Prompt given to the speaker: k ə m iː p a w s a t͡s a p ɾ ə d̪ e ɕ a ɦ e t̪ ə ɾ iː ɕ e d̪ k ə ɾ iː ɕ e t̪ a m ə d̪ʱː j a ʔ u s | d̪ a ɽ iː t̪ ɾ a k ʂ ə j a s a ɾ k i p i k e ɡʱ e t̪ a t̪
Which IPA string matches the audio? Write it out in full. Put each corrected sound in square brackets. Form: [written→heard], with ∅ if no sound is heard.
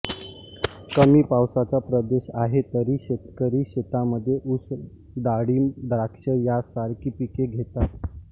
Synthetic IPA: k ə m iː p a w s a t͡s a p ɾ ə d̪ e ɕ a ɦ e t̪ ə ɾ iː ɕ e [d̪→t̪] k ə ɾ iː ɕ e t̪ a m ə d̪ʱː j [a→e] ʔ u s | d̪ a ɽ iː [t̪→d̪] ɾ a k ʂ ə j a s a ɾ k i p i k e ɡʱ e t̪ a t̪